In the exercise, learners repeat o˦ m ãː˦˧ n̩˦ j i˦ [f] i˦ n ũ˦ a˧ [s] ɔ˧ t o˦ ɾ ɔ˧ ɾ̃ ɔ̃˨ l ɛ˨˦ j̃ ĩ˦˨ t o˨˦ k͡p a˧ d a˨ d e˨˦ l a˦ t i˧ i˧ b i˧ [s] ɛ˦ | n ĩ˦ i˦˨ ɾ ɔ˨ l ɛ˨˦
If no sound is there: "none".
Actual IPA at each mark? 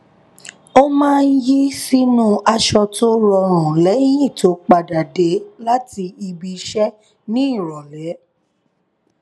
s, ʃ, ʃ

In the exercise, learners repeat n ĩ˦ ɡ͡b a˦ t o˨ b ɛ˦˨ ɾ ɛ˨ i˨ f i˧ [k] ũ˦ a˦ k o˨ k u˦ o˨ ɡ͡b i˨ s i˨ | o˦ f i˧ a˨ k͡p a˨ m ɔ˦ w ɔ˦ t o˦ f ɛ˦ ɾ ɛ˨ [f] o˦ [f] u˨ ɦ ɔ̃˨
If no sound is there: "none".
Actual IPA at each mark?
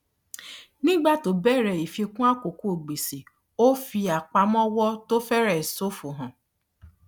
k, s, f

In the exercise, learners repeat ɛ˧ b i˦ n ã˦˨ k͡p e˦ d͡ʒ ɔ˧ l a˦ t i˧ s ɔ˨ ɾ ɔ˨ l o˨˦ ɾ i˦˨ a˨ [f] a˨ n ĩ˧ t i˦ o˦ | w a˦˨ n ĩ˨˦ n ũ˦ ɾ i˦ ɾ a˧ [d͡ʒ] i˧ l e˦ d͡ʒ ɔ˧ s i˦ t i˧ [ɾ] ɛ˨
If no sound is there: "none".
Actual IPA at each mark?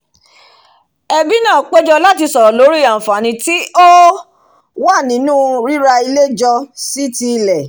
f, none, l

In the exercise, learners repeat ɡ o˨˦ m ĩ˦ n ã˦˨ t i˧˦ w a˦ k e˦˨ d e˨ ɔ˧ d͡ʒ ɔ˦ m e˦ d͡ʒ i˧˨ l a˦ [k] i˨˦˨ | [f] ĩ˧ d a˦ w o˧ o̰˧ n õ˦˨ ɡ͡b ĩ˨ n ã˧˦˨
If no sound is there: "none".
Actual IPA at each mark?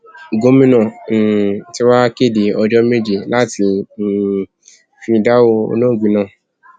t, f

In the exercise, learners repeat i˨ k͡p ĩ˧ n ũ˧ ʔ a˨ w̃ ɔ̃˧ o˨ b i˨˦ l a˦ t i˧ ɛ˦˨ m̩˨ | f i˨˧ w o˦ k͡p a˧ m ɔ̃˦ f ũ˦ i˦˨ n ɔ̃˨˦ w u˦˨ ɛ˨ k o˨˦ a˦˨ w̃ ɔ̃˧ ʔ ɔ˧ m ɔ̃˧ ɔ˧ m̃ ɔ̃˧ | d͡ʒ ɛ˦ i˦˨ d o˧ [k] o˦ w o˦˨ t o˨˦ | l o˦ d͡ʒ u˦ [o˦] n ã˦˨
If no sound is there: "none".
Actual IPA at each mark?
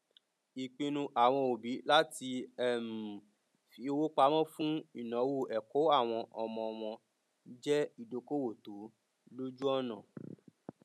k, ɔ˦

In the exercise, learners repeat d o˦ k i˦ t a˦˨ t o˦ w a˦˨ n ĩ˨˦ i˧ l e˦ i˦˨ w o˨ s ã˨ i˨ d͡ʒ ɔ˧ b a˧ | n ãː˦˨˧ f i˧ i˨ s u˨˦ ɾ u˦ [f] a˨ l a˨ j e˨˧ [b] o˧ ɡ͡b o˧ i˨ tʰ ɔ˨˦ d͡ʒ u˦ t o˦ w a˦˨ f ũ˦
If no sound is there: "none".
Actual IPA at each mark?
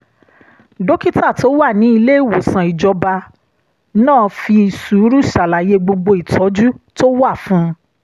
ʃ, ɡ͡b

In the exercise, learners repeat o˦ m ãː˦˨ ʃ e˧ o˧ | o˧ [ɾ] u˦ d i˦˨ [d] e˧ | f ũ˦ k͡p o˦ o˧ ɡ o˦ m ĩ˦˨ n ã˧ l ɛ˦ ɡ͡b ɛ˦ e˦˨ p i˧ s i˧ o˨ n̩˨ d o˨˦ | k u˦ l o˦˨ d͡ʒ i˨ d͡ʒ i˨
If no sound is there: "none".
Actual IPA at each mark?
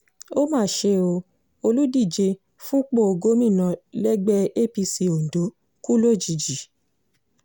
l, d͡ʒ

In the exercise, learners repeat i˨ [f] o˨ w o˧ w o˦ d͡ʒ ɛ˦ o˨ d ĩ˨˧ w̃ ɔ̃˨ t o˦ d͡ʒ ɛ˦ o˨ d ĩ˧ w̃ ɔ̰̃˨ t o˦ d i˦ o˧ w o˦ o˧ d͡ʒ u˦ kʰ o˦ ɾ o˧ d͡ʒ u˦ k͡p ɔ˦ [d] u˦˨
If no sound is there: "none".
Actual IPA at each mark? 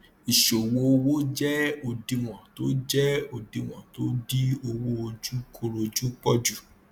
ʃ, d͡ʒ

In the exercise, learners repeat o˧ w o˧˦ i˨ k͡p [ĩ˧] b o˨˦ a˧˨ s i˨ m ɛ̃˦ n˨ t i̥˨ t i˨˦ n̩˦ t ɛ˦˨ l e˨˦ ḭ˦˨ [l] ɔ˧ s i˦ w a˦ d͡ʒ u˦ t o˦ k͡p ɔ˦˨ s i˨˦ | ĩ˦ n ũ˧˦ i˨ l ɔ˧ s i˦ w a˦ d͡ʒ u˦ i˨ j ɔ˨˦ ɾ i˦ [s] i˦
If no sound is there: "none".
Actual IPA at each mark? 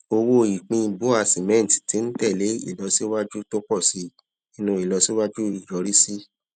ĩ˧, l, s

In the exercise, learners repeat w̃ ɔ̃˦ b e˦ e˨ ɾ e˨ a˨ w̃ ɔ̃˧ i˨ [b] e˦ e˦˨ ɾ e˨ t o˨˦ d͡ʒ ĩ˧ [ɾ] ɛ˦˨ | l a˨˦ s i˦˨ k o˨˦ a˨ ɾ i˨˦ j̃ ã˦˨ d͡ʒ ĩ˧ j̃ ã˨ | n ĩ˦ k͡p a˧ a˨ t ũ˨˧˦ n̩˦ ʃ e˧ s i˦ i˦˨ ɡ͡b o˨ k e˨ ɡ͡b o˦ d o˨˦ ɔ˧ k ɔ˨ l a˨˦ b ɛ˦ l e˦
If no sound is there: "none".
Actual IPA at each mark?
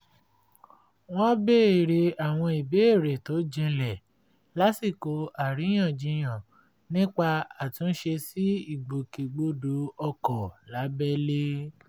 b, l

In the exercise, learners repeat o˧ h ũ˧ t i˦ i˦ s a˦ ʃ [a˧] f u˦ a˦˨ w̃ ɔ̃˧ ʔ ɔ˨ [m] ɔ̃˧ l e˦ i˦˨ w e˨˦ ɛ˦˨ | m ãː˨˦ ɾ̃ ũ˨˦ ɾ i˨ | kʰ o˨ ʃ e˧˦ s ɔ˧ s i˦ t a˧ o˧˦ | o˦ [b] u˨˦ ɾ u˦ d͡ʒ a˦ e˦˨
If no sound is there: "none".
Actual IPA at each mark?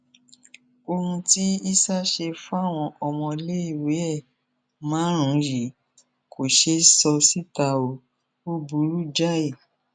e˧, m, b

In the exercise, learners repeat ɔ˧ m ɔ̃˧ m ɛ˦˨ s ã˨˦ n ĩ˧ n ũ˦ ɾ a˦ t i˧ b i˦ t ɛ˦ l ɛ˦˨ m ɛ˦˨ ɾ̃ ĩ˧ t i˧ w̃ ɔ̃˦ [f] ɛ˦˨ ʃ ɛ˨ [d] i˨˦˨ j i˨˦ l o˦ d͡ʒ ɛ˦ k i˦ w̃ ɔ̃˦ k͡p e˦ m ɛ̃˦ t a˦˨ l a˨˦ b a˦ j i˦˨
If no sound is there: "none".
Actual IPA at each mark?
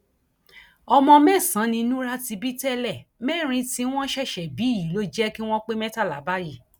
ʃ, b

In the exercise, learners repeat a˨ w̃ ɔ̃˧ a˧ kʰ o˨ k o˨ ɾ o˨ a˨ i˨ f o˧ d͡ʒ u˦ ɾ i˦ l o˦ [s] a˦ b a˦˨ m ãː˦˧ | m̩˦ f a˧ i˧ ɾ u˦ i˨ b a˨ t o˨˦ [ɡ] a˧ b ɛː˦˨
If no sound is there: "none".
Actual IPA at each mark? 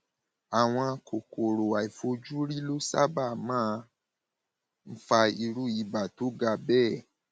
s, ɡ

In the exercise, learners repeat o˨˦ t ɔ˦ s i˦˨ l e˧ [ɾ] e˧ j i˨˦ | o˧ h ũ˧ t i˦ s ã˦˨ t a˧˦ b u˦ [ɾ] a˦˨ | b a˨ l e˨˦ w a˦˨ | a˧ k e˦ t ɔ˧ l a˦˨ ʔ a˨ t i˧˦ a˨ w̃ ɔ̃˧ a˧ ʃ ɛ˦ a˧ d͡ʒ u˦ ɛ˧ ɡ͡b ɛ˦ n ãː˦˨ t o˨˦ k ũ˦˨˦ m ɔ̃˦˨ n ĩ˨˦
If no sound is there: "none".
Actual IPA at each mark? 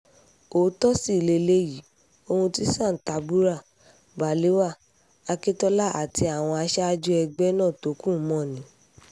l, ɾ

